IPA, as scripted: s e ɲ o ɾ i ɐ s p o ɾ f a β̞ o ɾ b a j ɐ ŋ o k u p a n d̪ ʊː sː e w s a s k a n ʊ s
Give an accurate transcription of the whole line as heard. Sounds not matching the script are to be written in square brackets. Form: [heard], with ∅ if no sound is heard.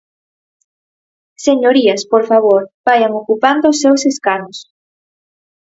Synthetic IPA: s e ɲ o ɾ i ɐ s p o ɾ f a β̞ o ɾ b a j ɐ ŋ o k u p a n d̪ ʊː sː e w s [e] s k a n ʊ s